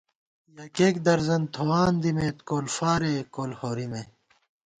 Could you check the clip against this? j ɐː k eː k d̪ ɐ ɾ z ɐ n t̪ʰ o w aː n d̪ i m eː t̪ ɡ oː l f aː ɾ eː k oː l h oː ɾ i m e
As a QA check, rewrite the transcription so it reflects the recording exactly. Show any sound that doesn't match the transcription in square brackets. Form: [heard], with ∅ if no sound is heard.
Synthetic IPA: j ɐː k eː k d̪ ɐ ɾ z ɐ n t̪ʰ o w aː n d̪ i m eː t̪ [k] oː l f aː ɾ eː k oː l h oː ɾ i m e